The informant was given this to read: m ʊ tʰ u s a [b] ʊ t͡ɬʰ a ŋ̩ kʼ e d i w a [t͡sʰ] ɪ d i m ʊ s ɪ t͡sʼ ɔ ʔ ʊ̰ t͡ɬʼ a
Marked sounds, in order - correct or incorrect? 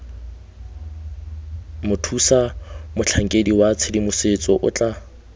incorrect: m, correct

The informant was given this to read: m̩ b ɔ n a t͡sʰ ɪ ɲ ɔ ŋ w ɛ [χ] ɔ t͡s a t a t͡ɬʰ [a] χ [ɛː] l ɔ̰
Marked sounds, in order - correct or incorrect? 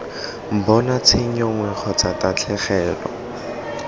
correct, incorrect: ɛ, correct

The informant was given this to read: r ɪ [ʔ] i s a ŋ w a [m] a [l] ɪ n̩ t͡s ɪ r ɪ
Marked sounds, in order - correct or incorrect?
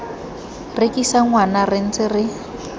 incorrect: k, incorrect: n, incorrect: r

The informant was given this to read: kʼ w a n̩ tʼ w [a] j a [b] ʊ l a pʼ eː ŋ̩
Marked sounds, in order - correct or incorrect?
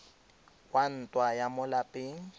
correct, incorrect: m

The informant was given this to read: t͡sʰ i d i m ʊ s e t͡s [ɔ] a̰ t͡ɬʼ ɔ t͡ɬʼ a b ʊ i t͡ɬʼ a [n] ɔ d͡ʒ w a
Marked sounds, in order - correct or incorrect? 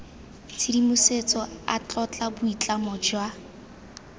correct, incorrect: m

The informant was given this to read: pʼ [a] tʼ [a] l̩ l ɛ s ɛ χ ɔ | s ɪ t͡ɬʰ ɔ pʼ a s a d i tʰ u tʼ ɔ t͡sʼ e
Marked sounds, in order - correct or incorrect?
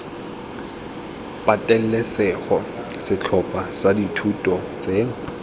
correct, incorrect: ɛ

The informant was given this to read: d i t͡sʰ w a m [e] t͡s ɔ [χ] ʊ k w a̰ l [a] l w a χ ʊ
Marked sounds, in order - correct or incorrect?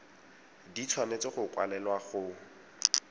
correct, correct, incorrect: ɛ

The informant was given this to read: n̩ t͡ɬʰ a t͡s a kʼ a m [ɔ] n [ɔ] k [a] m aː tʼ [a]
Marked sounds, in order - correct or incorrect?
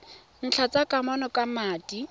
correct, correct, correct, incorrect: i

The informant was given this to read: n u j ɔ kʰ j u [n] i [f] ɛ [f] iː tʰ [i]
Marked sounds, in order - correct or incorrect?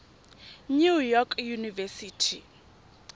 correct, incorrect: v, incorrect: s, correct

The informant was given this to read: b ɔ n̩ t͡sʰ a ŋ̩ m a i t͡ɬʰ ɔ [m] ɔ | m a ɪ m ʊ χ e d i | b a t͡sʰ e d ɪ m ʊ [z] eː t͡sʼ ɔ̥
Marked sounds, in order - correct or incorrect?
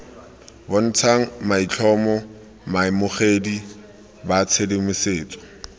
correct, incorrect: s

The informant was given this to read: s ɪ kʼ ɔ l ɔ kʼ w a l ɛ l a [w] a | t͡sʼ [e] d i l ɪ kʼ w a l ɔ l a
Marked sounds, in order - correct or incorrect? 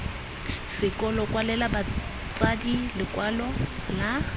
incorrect: b, incorrect: a

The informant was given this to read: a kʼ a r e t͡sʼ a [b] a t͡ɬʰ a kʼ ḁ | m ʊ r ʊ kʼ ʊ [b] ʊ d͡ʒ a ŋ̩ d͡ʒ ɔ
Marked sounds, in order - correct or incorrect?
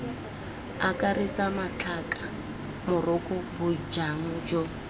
incorrect: m, correct

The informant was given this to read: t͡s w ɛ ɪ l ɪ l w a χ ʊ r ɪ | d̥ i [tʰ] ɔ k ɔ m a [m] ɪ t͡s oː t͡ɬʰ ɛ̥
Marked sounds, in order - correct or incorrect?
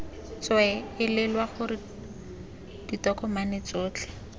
incorrect: t, incorrect: n

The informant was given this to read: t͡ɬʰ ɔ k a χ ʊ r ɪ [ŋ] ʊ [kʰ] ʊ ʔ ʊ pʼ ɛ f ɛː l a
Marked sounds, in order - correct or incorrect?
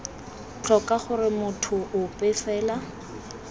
incorrect: m, incorrect: tʰ

